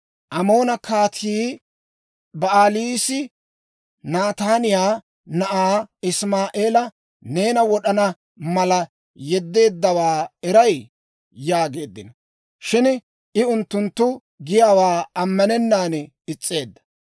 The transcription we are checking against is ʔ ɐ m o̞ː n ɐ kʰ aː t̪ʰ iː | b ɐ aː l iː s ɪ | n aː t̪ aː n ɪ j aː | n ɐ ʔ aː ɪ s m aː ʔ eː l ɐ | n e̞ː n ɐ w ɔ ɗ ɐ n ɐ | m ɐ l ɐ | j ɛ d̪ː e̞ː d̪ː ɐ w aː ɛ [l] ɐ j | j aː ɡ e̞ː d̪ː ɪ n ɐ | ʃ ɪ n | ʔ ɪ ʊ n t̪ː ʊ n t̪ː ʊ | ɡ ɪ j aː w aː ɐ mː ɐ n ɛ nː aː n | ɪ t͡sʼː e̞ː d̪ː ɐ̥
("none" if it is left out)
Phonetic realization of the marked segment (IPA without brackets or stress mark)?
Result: ɾ